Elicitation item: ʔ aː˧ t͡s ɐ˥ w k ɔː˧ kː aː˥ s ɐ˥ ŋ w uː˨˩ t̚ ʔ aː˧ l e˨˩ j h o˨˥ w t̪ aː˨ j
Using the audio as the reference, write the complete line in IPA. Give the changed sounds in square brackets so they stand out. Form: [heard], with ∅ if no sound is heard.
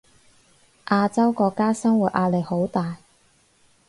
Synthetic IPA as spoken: ʔ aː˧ t͡s ɐ˥ w k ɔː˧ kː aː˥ s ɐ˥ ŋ w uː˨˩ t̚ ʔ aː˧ l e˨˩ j h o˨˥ w t̪ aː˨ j